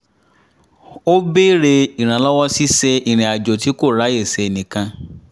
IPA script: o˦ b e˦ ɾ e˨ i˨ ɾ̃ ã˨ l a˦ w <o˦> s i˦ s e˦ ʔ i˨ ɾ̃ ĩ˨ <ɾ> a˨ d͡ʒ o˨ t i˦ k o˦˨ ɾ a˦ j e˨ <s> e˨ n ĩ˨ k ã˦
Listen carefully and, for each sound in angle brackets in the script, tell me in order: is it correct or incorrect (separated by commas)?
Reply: incorrect, incorrect, correct